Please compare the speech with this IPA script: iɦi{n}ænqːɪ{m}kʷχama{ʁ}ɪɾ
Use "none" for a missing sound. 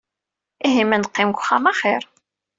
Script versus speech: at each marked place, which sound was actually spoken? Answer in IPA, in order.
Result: m, m, χ

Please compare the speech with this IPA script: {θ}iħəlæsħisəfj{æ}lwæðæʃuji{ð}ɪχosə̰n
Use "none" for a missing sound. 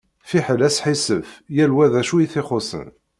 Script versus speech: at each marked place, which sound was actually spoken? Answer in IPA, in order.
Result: f, æ, θ

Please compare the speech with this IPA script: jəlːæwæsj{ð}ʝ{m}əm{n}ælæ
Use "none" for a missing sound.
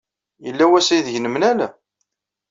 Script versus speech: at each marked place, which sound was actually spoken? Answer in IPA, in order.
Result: ð, n, n

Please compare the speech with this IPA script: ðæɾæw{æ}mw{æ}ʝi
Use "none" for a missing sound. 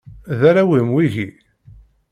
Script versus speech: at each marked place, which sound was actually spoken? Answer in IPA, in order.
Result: i, i

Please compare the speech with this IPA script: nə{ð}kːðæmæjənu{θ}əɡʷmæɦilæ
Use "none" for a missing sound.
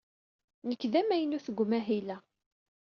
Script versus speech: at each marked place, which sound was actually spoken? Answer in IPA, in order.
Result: none, θ

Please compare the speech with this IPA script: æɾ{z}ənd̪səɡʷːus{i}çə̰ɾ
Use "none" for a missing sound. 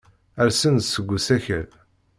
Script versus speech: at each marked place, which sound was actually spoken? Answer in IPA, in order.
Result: s, æ

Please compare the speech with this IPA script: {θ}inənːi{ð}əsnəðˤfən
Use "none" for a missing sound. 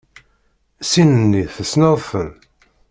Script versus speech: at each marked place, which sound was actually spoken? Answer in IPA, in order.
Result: s, θ

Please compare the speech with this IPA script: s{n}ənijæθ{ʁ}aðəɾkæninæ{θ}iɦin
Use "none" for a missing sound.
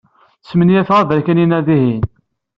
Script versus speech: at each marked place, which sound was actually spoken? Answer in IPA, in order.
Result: m, ʁ, ð

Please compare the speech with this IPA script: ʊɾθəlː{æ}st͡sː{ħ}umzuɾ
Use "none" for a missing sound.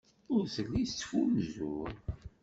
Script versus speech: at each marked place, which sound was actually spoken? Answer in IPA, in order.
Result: i, f

